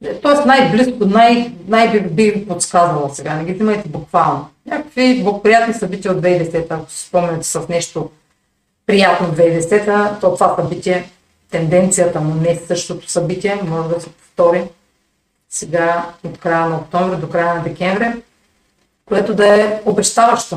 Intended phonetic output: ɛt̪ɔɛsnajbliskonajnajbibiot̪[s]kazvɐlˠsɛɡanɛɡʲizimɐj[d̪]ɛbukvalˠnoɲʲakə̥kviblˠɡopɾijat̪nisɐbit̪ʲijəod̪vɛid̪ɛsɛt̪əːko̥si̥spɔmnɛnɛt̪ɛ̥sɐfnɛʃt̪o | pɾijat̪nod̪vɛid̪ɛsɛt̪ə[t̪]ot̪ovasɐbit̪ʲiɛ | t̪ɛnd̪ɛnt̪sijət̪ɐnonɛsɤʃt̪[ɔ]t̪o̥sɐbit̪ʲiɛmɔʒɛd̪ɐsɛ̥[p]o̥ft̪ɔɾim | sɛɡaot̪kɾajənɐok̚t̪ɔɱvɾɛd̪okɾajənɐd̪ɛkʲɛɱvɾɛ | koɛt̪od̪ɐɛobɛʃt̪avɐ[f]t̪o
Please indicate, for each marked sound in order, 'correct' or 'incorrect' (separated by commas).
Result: correct, incorrect, correct, incorrect, correct, incorrect